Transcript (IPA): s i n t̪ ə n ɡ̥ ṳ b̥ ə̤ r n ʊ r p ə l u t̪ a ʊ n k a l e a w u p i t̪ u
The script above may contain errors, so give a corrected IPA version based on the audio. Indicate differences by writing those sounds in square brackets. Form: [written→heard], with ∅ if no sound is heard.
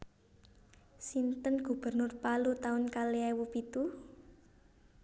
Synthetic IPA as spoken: s i n t̪ ə n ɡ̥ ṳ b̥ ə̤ r n ʊ r p [ə→a] l u t̪ a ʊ n k a l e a w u p i t̪ u